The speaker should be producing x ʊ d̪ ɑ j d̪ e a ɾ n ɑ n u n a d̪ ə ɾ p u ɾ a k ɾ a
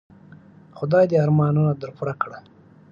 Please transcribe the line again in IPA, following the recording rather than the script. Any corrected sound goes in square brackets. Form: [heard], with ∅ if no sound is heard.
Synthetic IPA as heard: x ʊ d̪ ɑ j d̪ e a ɾ [m] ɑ n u n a d̪ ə ɾ p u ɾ a k [ɽ] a